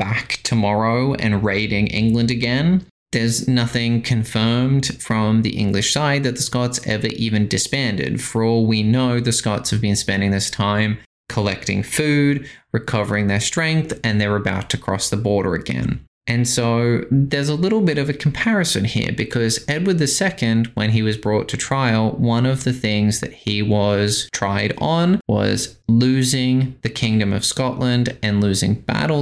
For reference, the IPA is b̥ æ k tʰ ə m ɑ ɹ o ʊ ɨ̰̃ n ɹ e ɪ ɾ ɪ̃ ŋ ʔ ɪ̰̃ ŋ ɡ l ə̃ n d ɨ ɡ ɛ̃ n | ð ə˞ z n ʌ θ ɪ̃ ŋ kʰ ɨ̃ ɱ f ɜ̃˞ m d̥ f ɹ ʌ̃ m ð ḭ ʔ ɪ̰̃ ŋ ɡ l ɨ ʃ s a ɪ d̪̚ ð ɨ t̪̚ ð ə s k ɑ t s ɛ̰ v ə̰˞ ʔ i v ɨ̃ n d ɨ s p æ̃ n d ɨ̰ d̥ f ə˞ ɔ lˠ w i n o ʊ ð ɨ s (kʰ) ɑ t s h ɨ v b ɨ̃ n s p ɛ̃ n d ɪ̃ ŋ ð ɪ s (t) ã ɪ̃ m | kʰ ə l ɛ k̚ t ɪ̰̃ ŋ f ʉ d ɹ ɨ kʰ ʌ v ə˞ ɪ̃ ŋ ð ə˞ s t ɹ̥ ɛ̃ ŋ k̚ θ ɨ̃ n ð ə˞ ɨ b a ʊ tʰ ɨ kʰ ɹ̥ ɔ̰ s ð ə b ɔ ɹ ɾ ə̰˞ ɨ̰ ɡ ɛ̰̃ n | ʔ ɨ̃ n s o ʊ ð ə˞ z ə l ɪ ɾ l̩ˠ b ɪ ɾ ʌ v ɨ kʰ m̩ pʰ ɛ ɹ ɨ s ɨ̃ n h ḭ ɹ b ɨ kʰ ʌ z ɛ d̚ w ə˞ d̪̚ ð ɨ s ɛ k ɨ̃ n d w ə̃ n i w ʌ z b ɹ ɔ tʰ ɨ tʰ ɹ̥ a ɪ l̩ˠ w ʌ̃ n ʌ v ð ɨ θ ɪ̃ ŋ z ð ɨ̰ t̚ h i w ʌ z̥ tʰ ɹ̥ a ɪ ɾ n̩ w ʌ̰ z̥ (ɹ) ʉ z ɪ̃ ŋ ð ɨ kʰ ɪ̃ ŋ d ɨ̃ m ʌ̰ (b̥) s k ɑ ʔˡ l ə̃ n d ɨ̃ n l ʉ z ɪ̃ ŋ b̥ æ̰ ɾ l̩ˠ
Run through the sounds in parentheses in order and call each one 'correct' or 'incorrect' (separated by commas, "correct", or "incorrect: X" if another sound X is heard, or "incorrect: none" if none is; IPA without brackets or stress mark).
incorrect: k, incorrect: tʰ, incorrect: l, incorrect: v̥